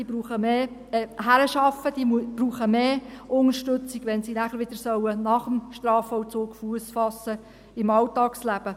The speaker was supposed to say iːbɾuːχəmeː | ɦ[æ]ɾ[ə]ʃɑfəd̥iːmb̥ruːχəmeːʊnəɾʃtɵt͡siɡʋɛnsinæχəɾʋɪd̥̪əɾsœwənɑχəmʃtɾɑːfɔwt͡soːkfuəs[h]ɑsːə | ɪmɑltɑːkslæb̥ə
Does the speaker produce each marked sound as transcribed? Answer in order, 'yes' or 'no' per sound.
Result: yes, yes, no

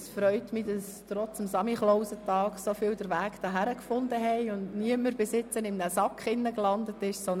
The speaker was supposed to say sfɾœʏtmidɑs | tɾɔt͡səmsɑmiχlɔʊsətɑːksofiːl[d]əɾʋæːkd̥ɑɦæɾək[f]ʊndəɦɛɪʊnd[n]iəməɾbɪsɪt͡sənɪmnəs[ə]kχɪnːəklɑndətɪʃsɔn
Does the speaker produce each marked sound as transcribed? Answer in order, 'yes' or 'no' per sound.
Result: yes, yes, yes, no

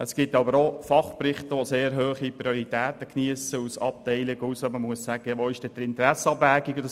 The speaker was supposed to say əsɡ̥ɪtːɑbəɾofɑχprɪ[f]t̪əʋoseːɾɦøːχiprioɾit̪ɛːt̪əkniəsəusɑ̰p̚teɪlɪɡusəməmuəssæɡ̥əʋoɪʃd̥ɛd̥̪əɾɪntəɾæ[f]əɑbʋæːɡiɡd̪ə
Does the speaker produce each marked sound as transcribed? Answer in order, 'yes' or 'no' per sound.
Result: no, no

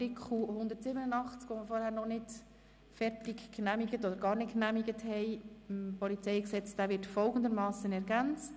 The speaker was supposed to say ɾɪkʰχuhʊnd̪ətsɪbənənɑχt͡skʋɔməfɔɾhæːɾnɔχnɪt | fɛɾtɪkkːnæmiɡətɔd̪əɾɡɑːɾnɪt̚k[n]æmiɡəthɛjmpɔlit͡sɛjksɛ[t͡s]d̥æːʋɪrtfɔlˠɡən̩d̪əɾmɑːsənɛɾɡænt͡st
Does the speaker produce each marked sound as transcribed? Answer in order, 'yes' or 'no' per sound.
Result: yes, yes

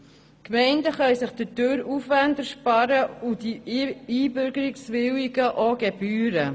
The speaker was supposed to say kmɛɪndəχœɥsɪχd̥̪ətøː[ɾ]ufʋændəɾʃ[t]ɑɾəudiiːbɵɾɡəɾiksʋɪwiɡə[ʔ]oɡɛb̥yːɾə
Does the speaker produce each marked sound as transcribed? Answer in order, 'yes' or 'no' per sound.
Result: yes, no, yes

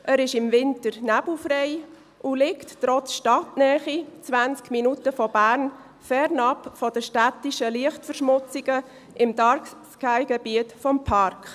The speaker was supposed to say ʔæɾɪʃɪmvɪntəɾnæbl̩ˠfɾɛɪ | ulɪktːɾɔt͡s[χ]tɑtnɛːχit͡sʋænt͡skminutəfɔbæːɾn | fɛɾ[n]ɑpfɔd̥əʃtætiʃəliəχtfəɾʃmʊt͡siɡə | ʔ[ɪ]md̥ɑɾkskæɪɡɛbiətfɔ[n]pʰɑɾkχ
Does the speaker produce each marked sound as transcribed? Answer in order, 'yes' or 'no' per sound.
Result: no, yes, yes, no

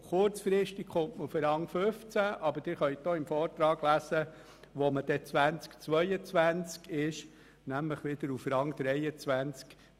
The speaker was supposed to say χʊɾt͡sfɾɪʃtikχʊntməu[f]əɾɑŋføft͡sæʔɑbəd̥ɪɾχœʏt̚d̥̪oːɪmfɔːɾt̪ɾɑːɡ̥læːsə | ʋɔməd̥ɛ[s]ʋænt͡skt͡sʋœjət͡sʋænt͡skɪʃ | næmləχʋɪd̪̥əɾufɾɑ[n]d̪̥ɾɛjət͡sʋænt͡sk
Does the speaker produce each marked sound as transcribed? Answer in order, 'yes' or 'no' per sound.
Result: yes, no, no

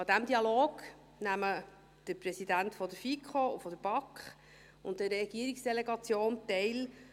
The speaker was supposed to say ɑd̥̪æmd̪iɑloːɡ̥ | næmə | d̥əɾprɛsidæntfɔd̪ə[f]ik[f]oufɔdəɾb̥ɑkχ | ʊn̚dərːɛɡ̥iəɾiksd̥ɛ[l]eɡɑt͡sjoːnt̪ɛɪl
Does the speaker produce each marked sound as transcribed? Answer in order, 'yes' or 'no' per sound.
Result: yes, no, yes

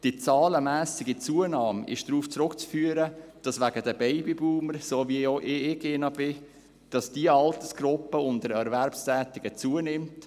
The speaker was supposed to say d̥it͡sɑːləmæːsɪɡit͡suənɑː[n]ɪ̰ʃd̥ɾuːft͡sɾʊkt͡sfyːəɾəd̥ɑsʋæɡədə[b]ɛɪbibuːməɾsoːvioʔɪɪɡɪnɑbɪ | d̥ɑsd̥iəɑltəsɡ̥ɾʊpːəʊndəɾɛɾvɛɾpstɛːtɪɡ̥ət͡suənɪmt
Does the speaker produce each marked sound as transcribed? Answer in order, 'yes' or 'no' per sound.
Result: no, yes

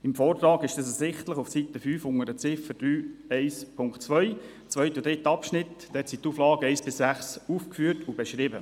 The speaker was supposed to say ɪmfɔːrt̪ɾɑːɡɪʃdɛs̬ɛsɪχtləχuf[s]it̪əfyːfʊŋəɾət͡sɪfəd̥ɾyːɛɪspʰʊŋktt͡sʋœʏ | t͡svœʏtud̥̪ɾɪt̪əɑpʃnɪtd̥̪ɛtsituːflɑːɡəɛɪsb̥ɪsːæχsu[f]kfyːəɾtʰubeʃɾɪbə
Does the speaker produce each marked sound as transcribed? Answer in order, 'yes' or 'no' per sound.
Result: yes, yes

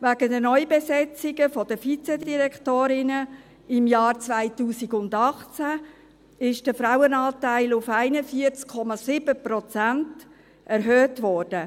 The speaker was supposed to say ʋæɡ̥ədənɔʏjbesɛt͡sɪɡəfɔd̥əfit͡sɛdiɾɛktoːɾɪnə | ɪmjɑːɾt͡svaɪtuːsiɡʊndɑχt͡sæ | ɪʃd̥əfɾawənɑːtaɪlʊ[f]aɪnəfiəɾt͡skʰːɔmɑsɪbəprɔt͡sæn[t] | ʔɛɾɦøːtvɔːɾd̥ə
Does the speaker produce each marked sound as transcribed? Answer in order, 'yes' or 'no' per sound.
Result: yes, yes

